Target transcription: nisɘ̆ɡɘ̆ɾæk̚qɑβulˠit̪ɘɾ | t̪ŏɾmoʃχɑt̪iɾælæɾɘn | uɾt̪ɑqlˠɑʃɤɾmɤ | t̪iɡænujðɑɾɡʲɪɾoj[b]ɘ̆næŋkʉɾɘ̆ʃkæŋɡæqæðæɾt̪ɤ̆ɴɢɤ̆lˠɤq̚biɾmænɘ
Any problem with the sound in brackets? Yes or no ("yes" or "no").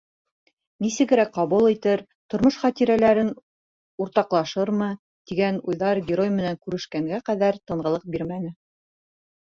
yes